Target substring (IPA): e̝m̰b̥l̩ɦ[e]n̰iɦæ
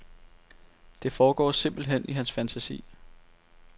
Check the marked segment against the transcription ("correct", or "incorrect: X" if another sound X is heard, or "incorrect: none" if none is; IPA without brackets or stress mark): correct